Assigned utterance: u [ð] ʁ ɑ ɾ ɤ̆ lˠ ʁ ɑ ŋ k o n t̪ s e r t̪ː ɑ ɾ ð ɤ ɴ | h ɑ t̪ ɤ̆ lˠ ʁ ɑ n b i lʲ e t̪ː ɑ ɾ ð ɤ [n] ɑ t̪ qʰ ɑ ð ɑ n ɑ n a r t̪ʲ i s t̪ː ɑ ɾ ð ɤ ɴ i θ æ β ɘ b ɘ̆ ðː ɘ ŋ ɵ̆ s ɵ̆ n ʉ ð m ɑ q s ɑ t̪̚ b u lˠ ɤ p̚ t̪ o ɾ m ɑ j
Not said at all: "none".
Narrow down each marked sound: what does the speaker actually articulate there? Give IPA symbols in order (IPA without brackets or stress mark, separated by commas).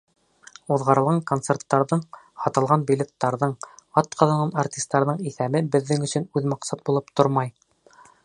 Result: ð, ɴ